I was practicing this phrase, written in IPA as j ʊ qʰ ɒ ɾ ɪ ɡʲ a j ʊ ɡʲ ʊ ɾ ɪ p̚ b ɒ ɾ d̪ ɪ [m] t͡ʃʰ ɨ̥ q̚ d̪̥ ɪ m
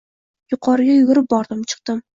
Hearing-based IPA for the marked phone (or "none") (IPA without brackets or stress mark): m